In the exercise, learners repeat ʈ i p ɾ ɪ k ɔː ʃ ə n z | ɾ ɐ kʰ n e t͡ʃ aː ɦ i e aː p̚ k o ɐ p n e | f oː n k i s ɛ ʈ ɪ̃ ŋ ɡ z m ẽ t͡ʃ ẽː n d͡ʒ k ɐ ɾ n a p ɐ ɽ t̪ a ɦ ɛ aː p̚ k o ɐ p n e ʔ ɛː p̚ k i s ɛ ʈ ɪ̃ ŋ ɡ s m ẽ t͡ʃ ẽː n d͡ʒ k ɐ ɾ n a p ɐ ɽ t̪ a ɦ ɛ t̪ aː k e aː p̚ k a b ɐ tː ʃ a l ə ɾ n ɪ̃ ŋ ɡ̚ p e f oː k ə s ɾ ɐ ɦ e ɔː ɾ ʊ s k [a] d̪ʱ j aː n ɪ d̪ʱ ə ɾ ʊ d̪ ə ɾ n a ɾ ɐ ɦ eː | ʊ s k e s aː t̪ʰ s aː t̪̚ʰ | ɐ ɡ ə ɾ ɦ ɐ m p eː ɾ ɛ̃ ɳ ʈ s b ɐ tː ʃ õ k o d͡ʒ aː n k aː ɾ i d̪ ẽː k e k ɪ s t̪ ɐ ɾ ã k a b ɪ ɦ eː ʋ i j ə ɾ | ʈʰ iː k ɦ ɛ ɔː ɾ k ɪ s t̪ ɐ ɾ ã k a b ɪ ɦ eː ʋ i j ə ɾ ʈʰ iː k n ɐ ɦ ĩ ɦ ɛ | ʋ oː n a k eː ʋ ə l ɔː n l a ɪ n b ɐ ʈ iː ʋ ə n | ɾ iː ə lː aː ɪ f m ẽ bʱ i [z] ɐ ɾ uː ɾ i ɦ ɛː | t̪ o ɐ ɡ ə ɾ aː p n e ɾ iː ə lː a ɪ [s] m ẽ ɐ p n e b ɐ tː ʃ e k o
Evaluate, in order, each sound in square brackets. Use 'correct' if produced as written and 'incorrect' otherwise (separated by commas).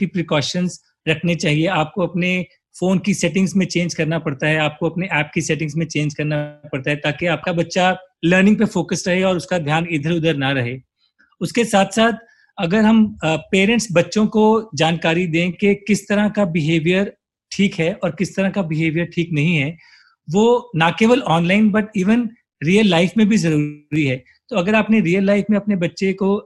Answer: correct, correct, incorrect